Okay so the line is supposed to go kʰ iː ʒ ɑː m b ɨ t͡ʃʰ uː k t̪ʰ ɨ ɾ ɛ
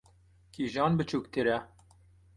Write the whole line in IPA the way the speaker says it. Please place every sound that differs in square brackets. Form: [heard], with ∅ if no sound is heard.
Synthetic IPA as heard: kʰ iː ʒ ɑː [n] b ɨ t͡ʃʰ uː k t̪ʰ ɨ ɾ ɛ